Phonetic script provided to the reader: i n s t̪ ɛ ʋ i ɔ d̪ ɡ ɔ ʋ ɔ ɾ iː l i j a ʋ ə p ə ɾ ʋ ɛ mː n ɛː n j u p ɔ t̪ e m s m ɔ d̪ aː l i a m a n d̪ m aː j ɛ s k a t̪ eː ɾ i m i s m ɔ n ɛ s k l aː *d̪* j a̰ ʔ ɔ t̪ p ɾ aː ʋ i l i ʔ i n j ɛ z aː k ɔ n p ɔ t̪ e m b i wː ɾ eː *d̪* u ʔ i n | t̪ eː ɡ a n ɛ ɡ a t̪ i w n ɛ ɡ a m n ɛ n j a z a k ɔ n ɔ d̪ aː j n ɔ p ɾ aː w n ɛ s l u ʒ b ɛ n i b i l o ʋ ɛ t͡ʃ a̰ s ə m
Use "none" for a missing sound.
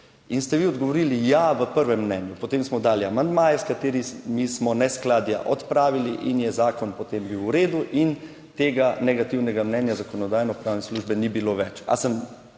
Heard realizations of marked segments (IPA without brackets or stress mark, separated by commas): d̪, d̪